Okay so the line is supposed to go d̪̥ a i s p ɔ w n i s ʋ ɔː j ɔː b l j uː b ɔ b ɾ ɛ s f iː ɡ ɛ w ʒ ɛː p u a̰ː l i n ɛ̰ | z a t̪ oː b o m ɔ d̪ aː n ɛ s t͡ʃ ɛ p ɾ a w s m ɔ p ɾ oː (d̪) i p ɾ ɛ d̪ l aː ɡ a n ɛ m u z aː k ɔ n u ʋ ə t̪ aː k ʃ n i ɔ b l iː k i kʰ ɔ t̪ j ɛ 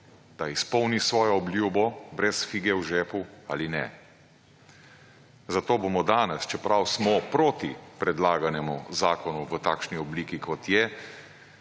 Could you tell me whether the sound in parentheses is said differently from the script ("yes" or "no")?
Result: yes